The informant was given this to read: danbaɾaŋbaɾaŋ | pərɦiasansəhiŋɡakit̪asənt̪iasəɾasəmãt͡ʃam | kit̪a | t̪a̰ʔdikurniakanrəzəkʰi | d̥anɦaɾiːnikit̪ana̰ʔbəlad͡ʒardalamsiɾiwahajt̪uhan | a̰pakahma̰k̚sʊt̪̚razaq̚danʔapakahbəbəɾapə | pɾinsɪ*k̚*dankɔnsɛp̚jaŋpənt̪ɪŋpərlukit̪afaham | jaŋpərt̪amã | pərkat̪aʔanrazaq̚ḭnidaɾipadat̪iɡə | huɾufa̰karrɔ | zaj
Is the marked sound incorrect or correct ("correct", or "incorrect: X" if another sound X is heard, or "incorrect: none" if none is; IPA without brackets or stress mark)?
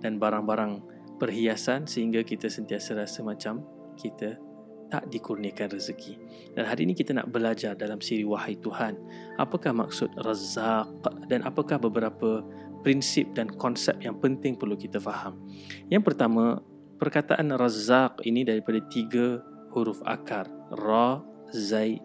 incorrect: p̚